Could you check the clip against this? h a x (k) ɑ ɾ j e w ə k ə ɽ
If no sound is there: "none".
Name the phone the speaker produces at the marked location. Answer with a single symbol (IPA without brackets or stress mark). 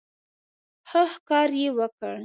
k